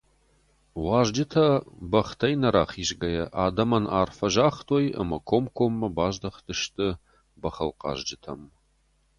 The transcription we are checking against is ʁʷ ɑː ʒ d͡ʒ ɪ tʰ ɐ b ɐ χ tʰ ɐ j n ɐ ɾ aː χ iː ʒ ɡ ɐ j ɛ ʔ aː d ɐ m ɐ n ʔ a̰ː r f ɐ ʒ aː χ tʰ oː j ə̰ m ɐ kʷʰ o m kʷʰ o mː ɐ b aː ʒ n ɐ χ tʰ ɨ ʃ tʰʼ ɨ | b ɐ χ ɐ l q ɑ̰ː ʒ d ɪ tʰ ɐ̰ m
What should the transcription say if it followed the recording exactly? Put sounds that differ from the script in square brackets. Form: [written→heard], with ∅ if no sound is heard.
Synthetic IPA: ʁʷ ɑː ʒ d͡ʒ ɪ tʰ ɐ b ɐ χ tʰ ɐ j n ɐ ɾ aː χ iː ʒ ɡ ɐ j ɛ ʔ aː d ɐ m ɐ n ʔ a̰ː r f ɐ ʒ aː χ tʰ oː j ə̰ m ɐ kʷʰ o m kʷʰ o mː ɐ b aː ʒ [n→d] ɐ χ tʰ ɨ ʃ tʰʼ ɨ | b ɐ χ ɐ l q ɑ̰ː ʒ [d→d͡ʒ] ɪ tʰ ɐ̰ m